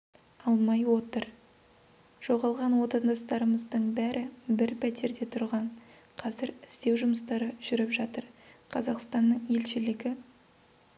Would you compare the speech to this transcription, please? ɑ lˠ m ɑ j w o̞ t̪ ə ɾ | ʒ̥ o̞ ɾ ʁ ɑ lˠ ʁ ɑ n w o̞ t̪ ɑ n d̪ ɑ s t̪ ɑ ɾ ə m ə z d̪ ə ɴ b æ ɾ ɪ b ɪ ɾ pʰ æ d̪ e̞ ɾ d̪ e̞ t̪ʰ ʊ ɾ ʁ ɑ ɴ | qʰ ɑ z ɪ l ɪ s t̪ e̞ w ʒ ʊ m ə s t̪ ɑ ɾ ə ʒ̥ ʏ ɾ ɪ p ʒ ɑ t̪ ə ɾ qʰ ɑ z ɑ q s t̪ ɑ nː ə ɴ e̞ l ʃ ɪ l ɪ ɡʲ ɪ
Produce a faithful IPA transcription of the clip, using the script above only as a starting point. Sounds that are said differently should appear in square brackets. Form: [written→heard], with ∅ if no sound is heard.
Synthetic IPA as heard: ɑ lˠ m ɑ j w o̞ t̪ ə ɾ | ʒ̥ o̞ [ɾ→∅] ʁ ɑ lˠ ʁ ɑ n w o̞ t̪ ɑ n d̪ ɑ s t̪ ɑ ɾ ə m ə z d̪ ə ɴ b æ ɾ ɪ b ɪ ɾ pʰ æ [d̪→t̪] e̞ ɾ d̪ e̞ t̪ʰ ʊ ɾ ʁ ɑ ɴ | qʰ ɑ z ɪ [l→ɾ] ɪ s t̪ e̞ w ʒ ʊ m ə s t̪ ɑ ɾ ə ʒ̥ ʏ ɾ ɪ p ʒ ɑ t̪ ə ɾ qʰ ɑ z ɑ q s t̪ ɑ nː ə ɴ e̞ l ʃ ɪ l ɪ ɡʲ ɪ

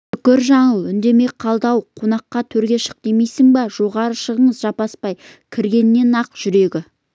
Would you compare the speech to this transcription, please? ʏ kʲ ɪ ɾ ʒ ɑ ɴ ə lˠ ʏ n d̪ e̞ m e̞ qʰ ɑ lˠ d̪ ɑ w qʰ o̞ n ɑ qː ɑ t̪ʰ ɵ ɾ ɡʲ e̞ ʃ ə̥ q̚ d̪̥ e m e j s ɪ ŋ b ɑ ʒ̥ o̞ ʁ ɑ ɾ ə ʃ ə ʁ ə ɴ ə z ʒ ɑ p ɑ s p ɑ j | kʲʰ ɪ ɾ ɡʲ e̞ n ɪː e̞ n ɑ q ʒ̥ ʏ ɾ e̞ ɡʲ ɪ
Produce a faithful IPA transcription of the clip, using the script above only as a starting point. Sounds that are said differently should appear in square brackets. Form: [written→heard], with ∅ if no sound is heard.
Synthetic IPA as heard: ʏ kʲ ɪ ɾ ʒ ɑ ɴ ə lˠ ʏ n d̪ e̞ m e̞ qʰ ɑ lˠ d̪ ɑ w qʰ o̞ n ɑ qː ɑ t̪ʰ ɵ ɾ ɡʲ e̞ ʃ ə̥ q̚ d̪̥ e m e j s ɪ ŋ b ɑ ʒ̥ o̞ ʁ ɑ ɾ ə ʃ ə ʁ ə ɴ ə z ʒ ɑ p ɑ s p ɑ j | kʲʰ ɪ ɾ ɡʲ e̞ n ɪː e̞ n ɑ q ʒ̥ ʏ ɾ e̞ ɡʲ ɪ

